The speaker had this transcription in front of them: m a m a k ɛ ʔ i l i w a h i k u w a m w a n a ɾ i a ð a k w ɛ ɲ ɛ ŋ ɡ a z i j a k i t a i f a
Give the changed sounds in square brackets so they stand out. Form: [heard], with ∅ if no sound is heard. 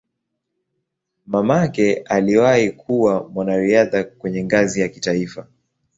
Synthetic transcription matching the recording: m a m a k ɛ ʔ [a] l i w a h i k u w a m w a n a ɾ i a ð a k w ɛ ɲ ɛ ŋ ɡ a z i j a k i t a i f a